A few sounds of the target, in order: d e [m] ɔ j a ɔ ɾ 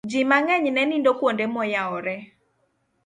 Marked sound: correct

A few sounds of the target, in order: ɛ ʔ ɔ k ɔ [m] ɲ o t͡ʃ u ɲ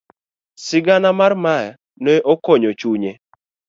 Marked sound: incorrect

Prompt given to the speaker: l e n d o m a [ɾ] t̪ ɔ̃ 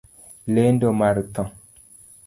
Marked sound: correct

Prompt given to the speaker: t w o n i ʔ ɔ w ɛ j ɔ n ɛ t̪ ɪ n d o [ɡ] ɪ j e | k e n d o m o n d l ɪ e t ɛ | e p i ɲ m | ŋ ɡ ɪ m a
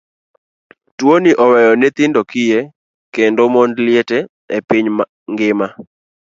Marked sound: incorrect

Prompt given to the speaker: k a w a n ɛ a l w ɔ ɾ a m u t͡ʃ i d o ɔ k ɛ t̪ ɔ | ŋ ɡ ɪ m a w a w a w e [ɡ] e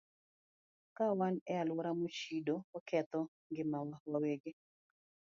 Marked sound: correct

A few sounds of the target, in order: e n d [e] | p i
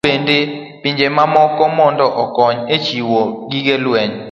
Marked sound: correct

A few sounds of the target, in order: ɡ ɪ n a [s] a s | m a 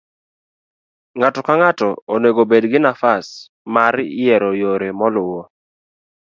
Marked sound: incorrect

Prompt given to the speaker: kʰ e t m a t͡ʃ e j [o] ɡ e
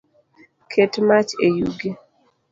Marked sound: incorrect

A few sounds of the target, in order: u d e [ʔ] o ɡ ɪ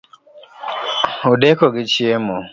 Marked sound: incorrect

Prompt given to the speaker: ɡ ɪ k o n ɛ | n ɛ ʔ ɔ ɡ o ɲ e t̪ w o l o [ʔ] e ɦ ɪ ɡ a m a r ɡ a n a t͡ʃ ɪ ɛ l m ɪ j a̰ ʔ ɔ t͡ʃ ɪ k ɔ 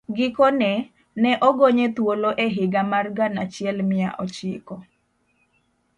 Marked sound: correct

